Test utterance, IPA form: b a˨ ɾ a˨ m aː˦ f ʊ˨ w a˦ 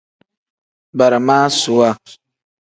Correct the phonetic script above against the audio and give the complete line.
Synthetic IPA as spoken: b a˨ ɾ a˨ m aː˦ s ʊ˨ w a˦